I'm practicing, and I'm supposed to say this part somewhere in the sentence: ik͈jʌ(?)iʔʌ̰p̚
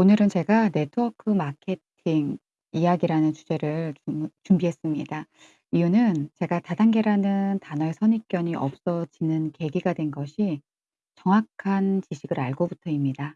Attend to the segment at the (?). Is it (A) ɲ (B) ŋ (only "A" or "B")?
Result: A